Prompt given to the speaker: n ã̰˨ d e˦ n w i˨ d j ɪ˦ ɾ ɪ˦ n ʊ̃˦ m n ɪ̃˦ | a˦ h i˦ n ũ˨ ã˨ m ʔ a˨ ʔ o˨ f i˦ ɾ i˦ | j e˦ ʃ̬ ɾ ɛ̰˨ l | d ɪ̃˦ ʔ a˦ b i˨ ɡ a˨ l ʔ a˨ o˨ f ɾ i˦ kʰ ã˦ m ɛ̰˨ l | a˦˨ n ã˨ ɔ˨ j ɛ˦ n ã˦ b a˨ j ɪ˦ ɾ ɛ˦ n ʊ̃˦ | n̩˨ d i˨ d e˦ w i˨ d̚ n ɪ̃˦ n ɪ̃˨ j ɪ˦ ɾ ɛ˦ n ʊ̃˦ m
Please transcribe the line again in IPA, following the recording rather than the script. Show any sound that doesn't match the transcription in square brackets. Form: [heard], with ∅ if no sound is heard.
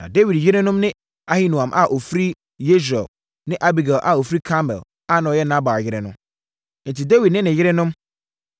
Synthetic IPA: n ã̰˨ d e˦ [∅] w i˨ d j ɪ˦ ɾ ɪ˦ n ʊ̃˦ m n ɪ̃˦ | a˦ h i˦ n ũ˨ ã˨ m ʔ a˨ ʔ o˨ f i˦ ɾ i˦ | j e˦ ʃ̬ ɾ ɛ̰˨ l | [n] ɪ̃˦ ʔ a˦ b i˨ ɡ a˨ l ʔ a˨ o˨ f ɾ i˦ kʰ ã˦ m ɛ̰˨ l | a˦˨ n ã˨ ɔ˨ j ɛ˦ n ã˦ b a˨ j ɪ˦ ɾ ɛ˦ n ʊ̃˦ | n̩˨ [t] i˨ d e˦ w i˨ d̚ n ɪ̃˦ n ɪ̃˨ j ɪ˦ ɾ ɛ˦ n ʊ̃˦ m